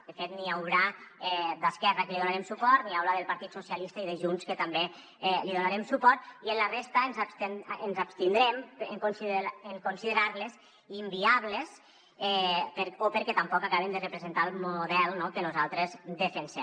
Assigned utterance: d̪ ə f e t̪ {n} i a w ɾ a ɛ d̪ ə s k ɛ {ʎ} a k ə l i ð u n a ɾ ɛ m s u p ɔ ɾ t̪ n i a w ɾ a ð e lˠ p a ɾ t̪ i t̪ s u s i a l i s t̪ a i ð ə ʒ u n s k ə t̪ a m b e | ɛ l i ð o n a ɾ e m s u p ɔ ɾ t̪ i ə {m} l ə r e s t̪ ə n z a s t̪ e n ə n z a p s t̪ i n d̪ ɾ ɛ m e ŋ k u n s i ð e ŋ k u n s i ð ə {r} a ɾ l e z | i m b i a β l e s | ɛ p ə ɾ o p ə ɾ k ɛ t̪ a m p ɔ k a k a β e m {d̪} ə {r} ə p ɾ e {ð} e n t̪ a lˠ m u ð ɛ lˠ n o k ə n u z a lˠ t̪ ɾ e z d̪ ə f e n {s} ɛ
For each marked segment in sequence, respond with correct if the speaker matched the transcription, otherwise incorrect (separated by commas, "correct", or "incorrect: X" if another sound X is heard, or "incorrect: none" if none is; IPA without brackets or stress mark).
correct, incorrect: r, incorrect: n, incorrect: ɾ, correct, correct, incorrect: z, correct